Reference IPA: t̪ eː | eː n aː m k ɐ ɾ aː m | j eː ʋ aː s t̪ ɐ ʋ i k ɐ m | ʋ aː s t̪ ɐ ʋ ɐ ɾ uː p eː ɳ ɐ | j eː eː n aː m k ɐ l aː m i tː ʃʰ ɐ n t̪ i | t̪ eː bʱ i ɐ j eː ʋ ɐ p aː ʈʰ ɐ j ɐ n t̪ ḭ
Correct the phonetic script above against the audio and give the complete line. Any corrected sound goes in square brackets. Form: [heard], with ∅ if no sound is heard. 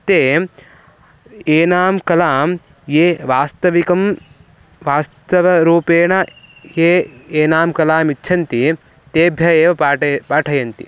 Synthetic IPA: t̪ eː | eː n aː m k ɐ [l] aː m | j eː ʋ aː s t̪ ɐ ʋ i k ɐ m | ʋ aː s t̪ ɐ ʋ ɐ ɾ uː p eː ɳ ɐ | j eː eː n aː m k ɐ l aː m i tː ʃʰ ɐ n t̪ i | t̪ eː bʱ [j] ɐ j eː ʋ ɐ p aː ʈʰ ɐ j ɐ n t̪ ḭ